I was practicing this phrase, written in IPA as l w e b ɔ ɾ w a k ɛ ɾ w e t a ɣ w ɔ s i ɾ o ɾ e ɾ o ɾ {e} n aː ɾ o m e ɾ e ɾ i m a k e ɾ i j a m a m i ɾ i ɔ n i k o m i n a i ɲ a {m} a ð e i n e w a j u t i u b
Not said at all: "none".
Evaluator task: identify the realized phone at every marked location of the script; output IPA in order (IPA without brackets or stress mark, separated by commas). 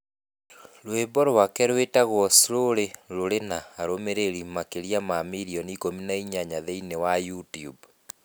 e, ɲ